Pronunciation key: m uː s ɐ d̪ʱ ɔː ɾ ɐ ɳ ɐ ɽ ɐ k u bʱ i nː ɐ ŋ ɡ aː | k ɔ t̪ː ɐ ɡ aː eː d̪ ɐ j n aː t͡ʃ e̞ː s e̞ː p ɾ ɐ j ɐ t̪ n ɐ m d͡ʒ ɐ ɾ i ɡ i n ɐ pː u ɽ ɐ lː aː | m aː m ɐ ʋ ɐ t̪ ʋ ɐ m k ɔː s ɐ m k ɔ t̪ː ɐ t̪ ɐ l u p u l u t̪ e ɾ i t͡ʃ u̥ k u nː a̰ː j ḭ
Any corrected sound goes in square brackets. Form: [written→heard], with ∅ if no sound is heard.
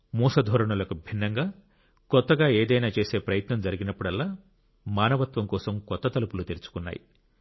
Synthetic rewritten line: m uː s ɐ d̪ʱ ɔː ɾ ɐ ɳ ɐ [ɽ→l] ɐ k u bʱ i nː ɐ ŋ ɡ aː | k ɔ t̪ː ɐ ɡ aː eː d̪ ɐ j n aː t͡ʃ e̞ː s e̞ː p ɾ ɐ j ɐ t̪ n ɐ m d͡ʒ ɐ ɾ i ɡ i n ɐ pː u ɽ ɐ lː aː | m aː [m→n] ɐ ʋ ɐ t̪ ʋ ɐ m k ɔː s ɐ m k ɔ t̪ː ɐ t̪ ɐ l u p u l u t̪ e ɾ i t͡ʃ u̥ k u nː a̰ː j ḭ